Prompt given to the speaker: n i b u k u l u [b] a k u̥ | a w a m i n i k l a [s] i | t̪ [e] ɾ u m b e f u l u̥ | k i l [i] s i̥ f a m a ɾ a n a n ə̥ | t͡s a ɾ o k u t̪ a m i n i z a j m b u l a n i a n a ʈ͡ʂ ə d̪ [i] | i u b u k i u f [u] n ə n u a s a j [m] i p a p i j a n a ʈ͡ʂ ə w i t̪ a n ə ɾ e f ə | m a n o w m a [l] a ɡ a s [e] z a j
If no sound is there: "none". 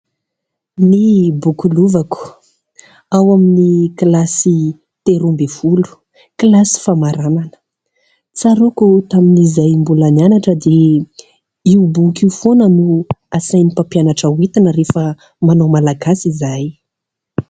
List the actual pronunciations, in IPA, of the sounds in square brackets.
v, s, e, a, e, o, n, l, i

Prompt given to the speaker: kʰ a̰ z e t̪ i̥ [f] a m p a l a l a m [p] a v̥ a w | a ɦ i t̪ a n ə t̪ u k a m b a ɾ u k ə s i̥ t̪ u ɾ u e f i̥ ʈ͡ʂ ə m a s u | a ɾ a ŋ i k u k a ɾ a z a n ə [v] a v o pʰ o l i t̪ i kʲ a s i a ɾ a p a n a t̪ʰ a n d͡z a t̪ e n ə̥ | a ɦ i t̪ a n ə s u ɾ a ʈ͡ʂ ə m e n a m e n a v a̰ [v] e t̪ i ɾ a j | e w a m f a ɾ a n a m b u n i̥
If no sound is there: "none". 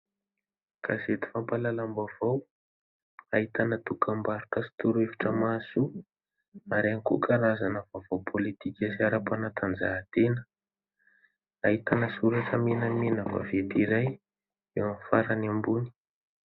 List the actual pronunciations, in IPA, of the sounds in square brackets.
f, b, v, v

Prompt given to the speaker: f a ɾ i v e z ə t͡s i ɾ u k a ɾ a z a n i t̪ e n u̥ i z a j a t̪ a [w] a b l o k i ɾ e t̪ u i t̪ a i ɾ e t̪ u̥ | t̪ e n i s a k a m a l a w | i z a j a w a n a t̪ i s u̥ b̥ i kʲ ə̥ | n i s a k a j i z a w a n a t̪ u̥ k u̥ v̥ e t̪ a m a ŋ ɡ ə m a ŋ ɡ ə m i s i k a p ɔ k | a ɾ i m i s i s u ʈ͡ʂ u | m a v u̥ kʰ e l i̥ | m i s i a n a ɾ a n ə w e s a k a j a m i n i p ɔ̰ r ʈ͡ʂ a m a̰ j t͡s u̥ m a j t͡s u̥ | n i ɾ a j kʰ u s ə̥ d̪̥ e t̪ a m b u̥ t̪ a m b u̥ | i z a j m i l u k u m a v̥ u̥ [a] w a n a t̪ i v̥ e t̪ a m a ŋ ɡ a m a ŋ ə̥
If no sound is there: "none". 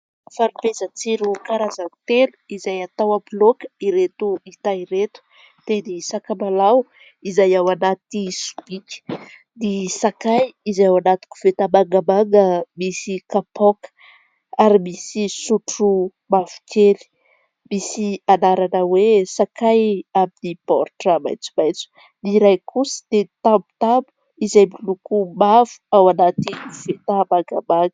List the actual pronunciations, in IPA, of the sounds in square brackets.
w, a

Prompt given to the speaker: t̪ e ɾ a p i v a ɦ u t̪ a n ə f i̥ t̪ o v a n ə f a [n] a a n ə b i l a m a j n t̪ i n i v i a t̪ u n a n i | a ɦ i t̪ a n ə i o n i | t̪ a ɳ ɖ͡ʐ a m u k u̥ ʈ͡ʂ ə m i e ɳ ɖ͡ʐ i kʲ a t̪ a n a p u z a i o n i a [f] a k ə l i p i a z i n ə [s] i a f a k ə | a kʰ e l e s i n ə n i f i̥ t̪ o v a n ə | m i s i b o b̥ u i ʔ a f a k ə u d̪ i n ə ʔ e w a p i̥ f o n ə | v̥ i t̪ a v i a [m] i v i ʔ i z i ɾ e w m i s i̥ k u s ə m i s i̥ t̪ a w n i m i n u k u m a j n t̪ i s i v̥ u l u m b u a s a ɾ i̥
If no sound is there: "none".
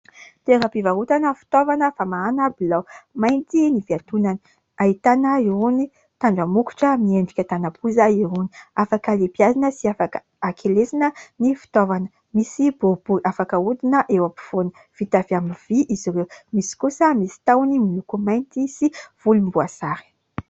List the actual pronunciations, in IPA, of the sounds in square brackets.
m, f, s, m

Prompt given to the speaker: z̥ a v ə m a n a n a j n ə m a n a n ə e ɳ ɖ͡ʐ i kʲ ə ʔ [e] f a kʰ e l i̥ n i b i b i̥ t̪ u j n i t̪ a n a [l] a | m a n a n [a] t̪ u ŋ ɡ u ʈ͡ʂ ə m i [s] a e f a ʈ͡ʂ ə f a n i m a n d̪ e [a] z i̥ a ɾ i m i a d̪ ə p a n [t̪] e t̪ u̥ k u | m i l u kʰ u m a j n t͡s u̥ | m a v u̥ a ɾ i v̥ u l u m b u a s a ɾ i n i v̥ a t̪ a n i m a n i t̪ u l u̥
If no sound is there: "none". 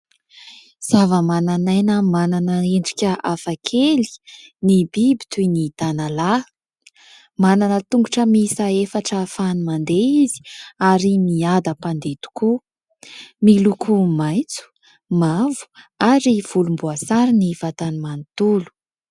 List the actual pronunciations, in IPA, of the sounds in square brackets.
a, l, ə, s, i, d̪

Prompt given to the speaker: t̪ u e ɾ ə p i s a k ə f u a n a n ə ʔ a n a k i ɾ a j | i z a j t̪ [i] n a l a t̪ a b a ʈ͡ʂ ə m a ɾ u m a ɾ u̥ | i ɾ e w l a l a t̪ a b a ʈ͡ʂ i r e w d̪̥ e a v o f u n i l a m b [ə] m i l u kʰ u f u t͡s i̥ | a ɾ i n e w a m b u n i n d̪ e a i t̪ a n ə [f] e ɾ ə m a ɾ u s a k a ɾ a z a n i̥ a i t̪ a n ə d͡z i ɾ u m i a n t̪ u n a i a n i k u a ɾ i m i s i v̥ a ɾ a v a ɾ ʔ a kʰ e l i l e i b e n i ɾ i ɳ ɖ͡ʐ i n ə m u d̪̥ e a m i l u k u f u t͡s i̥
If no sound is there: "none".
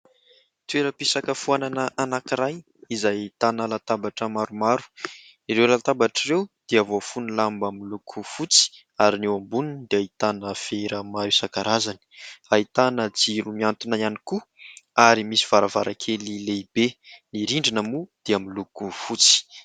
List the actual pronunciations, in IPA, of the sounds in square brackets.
a, a, f

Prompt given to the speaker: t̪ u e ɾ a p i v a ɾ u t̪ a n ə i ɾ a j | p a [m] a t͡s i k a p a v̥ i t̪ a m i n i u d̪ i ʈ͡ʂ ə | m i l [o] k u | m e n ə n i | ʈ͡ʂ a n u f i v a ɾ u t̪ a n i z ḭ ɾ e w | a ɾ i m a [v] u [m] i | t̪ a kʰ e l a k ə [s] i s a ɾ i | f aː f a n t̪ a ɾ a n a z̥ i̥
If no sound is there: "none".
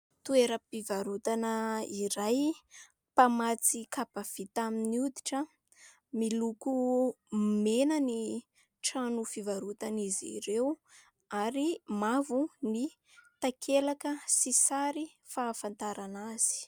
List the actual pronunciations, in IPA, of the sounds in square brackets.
m, u, v, n, s

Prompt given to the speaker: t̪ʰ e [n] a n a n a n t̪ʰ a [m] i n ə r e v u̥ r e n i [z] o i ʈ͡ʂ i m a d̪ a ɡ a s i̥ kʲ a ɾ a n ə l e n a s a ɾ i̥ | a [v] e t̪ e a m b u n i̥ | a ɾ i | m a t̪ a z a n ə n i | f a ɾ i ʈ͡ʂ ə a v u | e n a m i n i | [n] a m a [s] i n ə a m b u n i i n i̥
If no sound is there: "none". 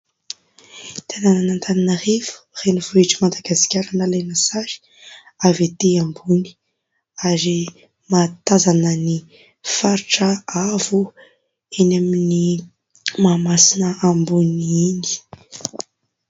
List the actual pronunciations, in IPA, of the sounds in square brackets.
n, n, v, v, m, s

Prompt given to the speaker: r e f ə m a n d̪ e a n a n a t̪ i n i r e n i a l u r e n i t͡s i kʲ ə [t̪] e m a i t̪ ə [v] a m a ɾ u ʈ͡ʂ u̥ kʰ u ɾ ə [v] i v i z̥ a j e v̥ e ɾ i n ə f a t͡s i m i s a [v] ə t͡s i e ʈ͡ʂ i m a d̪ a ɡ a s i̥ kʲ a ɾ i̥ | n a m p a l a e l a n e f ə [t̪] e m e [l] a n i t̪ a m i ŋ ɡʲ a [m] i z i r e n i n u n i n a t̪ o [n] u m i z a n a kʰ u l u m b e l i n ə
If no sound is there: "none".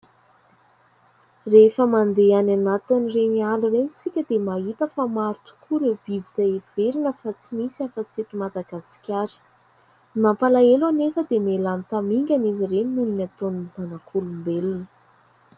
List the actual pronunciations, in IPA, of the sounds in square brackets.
d̪, f, v, f, d̪, l, n, n

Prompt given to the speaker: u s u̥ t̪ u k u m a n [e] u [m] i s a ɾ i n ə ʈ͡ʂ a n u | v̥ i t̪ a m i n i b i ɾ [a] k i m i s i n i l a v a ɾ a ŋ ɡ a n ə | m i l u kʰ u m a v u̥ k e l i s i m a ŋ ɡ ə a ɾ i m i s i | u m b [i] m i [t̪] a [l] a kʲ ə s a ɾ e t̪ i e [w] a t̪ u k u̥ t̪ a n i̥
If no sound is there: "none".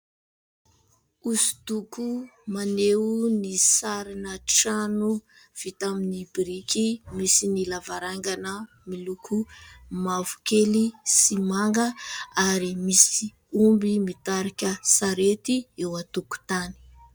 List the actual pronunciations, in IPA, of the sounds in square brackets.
e, n, i, i, t̪, ɾ, w

